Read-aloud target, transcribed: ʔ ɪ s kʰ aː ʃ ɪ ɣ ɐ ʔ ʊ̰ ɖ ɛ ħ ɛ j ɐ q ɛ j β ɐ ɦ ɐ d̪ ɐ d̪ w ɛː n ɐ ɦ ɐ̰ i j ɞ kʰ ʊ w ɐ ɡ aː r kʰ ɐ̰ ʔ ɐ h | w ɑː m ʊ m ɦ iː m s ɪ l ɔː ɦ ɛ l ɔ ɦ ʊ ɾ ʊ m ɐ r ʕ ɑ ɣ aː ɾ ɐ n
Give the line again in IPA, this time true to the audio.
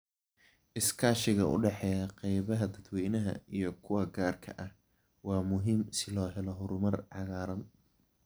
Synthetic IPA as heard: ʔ ɪ s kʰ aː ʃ ɪ ɣ ɐ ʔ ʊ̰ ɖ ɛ ħ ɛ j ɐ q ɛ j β ɐ ɦ ɐ d̪ ɐ d̪ w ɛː n ɐ ɦ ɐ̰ i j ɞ kʰ ʊ w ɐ ɡ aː r kʰ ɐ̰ ʔ ɐ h | w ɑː m ʊ ɦ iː m s ɪ l ɔː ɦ ɛ l ɔ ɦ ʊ ɾ ʊ m ɐ r ʕ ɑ ɣ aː ɾ ɐ n

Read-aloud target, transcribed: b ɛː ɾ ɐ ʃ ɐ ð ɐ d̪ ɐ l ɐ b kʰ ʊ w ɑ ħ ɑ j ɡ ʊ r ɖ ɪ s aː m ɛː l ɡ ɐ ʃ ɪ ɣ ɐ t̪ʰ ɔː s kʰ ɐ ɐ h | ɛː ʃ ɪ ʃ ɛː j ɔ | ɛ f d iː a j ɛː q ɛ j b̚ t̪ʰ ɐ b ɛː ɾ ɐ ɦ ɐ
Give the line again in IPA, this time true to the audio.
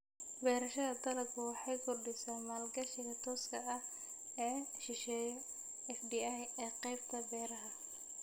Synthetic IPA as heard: b ɛː ɾ ɐ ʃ ɐ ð ɐ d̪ ɐ l ɐ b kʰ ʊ w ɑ ħ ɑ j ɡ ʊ r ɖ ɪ s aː m aː l ɡ ɐ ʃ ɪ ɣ ɐ t̪ʰ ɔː s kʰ ɐ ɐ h | ɛː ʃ ɪ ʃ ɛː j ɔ | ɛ f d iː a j ɛː q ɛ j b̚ t̪ʰ ɐ b ɛː ɾ ɐ ɦ ɐ

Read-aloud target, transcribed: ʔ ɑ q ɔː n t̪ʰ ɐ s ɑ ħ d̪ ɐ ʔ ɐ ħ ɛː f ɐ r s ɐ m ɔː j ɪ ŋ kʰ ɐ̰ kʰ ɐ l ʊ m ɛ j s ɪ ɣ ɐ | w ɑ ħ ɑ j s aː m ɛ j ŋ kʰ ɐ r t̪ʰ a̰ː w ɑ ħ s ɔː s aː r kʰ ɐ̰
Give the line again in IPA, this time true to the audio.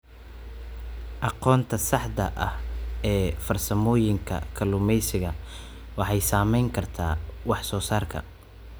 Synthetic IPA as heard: ʔ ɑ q ɔː n t̪ʰ ɐ s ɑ ħ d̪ ɐ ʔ ɐ h ɛː f ɐ r s ɐ m ɔː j ɪ ŋ kʰ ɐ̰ kʰ ɐ l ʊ m ɛ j s ɪ ɣ ɐ | w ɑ ħ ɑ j s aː m ɛ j ŋ kʰ ɐ r t̪ʰ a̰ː w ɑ ħ s ɔː s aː r kʰ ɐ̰

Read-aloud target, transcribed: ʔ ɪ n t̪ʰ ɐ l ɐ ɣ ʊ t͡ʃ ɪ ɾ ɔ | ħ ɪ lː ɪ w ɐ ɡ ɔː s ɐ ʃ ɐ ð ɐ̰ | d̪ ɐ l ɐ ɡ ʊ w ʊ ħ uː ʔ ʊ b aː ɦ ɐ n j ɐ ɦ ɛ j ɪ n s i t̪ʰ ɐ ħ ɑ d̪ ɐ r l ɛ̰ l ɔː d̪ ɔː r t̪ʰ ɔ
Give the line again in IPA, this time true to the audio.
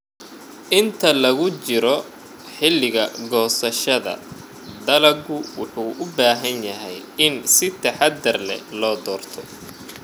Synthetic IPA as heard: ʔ ɪ n t̪ʰ ɐ l ɐ ɣ ʊ t͡ʃ ɪ ɾ ɔ | ħ ɪ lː ɪ ɣ ɐ ɡ ɔː s ɐ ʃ ɐ ð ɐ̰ | d̪ ɐ l ɐ ɡ ʊ w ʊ ħ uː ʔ ʊ b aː ɦ ɐ n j ɐ ɦ ɛ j ɪ n s ɪ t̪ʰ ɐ ħ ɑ d̪ ɐ r l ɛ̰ l ɔː d̪ ɔː r t̪ʰ ɔ

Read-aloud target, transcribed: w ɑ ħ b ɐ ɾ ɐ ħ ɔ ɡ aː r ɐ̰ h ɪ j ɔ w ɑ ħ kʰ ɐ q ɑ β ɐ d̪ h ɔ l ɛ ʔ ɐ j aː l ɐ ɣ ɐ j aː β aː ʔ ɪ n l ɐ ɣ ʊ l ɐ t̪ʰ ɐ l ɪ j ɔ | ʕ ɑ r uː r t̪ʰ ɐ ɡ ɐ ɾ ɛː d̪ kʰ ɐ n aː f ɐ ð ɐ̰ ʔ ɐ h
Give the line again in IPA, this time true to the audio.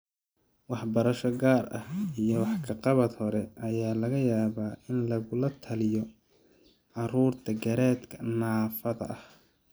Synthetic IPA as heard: w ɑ ħ b ɐ ɾ ɐ ʃ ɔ ɡ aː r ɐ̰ h i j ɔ w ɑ ħ kʰ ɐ q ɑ β ɐ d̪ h ɔ ɾ ɛ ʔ ɐ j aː l ɐ ɣ ɐ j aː β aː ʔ ɪ n l ɐ ɣ ʊ l ɐ t̪ʰ ɐ l ɪ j ɔ | ʕ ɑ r uː r t̪ʰ ɐ ɡ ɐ ɾ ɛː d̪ kʰ ɐ n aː f ɐ ð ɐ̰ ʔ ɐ h

